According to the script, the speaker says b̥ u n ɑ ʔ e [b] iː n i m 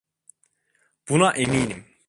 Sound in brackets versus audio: incorrect: m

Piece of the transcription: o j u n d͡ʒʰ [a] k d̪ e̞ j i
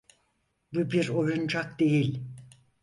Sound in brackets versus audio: correct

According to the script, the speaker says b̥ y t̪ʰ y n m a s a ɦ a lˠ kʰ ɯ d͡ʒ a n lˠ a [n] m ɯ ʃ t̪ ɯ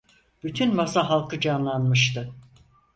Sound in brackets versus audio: correct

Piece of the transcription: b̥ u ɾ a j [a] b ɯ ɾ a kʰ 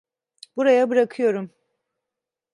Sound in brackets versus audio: correct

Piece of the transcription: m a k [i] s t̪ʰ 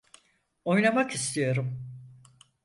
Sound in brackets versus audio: correct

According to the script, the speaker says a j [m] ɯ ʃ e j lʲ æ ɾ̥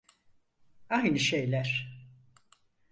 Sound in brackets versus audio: incorrect: n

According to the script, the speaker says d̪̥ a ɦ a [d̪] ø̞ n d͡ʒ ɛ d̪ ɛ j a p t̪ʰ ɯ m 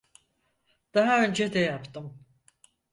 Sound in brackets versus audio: incorrect: none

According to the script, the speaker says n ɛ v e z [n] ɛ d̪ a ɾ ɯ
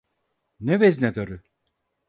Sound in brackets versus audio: correct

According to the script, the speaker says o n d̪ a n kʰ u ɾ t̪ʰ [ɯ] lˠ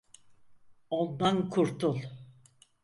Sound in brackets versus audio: incorrect: u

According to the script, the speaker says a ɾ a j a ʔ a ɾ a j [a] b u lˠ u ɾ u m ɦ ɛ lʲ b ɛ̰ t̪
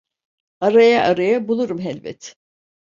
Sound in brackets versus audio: correct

